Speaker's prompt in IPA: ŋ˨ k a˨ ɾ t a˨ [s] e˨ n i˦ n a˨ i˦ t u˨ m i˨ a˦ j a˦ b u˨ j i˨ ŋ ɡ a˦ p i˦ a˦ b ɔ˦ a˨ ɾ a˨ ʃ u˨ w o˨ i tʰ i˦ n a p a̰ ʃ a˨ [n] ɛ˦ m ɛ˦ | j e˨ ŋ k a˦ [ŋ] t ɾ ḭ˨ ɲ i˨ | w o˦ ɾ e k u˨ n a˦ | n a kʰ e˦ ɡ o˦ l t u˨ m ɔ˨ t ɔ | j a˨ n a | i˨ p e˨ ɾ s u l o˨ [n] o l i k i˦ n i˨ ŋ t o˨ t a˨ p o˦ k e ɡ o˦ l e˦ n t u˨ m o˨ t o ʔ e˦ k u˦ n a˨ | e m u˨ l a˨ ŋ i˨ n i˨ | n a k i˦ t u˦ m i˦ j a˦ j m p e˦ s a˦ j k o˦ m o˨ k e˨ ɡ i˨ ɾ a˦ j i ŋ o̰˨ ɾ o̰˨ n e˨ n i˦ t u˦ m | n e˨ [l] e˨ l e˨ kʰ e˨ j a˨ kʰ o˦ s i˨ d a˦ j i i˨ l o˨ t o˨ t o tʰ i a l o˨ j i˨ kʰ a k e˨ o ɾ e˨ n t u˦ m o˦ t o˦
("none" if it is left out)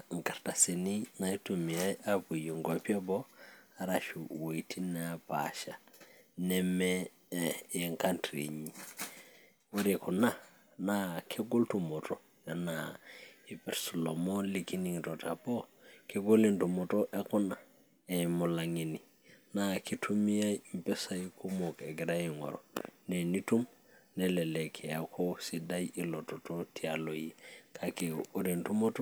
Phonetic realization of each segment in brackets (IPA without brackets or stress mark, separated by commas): s, n, n, m, l